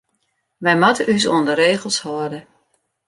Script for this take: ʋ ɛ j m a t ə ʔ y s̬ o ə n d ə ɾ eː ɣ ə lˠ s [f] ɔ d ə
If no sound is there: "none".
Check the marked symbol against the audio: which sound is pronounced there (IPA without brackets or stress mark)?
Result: h